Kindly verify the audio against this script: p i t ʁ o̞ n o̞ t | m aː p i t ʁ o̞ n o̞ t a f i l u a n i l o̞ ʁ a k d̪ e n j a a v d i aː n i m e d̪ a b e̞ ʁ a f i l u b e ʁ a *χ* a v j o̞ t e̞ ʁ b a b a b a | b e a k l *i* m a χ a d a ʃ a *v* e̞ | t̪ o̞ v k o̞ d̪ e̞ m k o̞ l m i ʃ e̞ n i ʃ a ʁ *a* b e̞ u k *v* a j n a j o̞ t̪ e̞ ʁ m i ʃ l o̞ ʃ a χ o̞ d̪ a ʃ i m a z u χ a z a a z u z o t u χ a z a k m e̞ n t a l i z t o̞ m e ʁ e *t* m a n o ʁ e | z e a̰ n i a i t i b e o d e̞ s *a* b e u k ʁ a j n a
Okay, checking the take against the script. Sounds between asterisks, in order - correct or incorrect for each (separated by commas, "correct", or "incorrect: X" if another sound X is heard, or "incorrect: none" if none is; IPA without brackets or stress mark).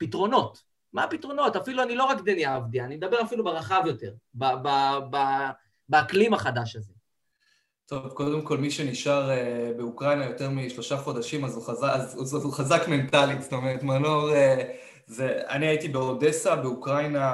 correct, correct, incorrect: z, incorrect: e, incorrect: ʁ, correct, correct